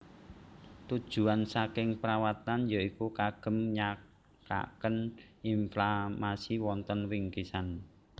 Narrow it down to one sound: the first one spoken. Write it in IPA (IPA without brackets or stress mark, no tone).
t̪